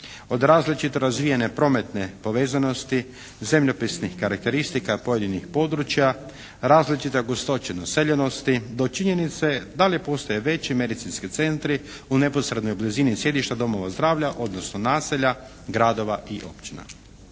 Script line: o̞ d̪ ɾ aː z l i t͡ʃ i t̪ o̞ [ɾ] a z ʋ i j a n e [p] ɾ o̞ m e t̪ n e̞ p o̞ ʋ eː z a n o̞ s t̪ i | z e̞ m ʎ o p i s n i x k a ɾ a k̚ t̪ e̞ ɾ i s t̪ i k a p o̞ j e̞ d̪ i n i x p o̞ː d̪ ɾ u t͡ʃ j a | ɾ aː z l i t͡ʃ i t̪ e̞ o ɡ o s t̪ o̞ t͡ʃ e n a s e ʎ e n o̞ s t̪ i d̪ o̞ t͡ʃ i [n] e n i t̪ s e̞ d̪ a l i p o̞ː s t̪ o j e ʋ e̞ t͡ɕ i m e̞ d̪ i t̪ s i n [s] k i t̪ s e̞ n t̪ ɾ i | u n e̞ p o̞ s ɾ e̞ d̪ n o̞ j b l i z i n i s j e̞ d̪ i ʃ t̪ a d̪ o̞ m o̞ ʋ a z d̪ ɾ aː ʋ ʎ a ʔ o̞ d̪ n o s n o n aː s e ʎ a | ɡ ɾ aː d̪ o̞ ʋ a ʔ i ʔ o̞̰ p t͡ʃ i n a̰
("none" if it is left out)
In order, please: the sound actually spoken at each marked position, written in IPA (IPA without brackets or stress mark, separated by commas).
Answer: ɾ, p, ɲ, s